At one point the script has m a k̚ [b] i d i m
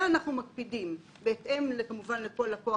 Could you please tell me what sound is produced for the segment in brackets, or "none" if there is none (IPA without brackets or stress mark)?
p